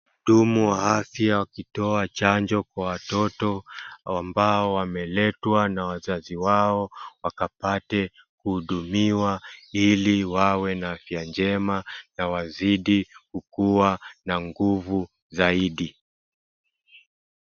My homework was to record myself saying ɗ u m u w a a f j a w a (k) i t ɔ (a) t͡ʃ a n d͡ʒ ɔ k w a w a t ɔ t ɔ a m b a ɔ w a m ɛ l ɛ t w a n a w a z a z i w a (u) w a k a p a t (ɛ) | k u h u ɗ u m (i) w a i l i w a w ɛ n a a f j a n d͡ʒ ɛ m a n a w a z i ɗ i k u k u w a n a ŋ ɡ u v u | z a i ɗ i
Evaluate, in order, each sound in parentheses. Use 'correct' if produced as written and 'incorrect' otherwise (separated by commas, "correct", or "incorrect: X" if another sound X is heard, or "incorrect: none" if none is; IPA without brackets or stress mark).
correct, correct, incorrect: ɔ, correct, correct